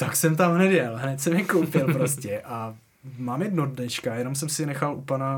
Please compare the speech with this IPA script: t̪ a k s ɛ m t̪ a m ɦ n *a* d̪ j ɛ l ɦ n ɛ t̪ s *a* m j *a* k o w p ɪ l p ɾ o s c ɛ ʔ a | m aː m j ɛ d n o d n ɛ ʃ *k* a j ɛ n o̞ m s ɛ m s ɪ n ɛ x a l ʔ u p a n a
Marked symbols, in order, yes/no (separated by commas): no, no, no, yes